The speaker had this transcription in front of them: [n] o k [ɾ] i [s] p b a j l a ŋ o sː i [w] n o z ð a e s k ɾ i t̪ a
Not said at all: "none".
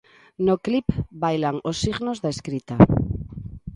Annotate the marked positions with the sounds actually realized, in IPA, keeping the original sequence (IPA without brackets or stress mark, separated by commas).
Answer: n, l, none, ɣ